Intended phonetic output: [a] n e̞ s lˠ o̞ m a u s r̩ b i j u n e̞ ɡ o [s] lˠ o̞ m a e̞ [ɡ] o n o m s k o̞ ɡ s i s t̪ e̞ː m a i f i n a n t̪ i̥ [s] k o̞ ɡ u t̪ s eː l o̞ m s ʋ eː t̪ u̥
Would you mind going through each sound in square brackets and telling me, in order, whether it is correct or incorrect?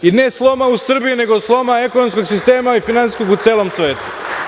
incorrect: i, correct, incorrect: k, correct

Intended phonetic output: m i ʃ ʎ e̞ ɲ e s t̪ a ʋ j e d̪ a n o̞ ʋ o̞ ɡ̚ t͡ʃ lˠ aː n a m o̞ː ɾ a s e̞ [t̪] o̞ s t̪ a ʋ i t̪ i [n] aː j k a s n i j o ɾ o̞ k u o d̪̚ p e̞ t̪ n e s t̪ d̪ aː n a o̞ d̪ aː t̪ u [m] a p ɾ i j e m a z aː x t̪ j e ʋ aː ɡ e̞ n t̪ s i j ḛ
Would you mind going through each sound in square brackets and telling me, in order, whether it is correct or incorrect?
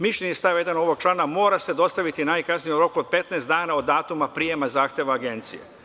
incorrect: d̪, correct, correct

